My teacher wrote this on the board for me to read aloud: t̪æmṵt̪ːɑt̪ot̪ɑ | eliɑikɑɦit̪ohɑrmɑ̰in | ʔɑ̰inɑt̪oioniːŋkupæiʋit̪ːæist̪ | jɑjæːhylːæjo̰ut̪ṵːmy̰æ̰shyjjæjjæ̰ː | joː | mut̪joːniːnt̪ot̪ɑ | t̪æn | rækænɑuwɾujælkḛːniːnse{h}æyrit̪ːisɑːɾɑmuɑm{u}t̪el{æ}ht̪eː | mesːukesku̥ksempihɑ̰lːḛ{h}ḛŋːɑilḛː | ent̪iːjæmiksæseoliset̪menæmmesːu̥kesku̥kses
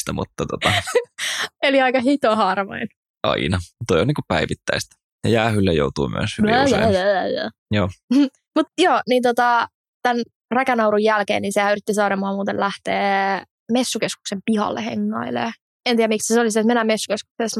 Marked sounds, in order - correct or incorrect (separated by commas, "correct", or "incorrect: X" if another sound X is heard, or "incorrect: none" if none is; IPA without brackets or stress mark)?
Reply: correct, incorrect: uː, correct, correct